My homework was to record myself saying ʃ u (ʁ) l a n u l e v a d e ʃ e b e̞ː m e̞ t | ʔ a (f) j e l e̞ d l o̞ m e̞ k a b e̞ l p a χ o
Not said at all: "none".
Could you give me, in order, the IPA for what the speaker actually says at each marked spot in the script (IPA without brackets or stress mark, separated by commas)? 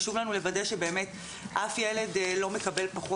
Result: v, f